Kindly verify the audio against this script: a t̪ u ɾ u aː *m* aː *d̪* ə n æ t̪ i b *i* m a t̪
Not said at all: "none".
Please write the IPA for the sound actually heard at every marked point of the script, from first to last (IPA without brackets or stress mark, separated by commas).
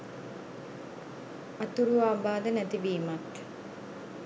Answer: b, d̪, iː